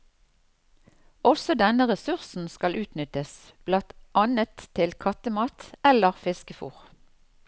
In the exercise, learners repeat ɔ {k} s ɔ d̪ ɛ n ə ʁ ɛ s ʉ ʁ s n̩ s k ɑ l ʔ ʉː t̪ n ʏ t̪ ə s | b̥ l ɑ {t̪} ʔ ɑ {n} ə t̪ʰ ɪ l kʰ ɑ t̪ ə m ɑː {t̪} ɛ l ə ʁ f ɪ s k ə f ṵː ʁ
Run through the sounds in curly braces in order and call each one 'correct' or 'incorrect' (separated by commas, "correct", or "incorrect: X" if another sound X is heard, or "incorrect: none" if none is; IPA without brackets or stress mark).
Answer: incorrect: none, correct, correct, correct